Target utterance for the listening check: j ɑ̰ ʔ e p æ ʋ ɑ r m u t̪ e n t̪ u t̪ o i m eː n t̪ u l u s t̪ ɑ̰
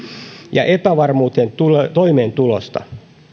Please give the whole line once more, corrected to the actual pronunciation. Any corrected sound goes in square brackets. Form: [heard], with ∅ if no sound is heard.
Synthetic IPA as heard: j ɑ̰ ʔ e p æ ʋ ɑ r m [uː] t̪ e n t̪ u t̪ o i m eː n t̪ u l [o] s t̪ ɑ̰